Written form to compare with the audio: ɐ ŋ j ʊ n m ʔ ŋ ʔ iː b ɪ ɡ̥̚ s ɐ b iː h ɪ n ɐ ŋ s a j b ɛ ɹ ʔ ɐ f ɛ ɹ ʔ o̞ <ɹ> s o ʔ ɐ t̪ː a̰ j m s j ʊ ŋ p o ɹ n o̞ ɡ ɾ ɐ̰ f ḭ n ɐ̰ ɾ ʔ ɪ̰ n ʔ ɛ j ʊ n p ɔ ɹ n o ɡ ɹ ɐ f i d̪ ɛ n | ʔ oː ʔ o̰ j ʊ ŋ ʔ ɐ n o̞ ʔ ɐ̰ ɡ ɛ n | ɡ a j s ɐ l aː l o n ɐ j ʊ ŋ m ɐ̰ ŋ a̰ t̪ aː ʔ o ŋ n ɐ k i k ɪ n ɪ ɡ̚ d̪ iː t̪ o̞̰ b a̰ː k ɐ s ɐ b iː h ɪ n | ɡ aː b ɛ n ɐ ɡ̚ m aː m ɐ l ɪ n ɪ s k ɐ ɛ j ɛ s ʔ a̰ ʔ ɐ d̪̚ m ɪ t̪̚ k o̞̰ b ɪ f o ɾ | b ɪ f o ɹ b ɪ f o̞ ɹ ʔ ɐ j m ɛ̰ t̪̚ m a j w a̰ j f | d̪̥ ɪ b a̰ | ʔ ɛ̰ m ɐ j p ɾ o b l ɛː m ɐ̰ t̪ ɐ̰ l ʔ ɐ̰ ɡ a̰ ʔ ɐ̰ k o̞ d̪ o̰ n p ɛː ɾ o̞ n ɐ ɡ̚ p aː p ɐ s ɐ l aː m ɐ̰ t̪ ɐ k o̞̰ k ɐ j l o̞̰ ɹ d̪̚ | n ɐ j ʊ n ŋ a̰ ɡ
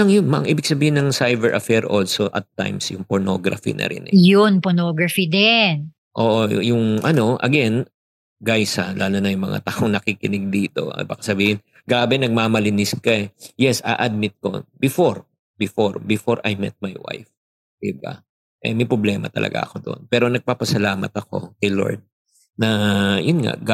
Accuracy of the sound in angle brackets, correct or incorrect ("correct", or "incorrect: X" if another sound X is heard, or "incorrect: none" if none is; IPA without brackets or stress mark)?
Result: incorrect: l